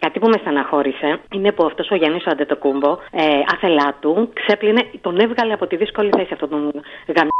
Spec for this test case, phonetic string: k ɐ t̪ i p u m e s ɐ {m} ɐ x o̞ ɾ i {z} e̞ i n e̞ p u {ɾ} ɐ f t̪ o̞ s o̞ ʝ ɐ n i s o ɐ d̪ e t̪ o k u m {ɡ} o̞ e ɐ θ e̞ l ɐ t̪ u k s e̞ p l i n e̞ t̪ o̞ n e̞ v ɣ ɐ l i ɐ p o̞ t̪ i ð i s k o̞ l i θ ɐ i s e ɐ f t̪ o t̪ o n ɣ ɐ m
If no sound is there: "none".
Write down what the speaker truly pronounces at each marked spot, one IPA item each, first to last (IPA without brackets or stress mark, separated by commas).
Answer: n, s, none, b